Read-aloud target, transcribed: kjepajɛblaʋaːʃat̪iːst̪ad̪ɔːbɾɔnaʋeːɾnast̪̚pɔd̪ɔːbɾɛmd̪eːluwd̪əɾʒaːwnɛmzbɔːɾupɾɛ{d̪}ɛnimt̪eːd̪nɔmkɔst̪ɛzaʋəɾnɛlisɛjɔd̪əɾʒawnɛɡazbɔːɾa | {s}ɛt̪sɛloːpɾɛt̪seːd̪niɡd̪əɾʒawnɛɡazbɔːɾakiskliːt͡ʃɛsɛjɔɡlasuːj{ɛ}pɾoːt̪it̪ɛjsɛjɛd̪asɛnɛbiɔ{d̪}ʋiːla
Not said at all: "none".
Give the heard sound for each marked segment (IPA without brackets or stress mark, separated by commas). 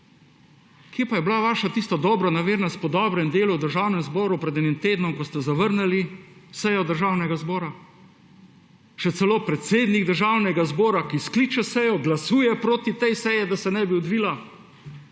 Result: d̪, ʃ, ɛ, d̪